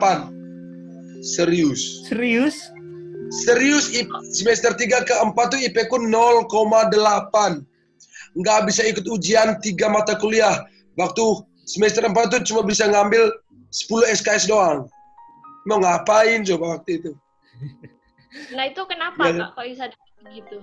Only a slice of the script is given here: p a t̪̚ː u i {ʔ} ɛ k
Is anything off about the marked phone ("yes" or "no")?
yes